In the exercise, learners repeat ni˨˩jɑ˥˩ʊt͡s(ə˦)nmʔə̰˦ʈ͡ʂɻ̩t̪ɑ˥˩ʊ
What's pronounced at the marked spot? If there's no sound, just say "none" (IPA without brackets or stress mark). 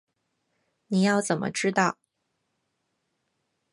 ə˨˩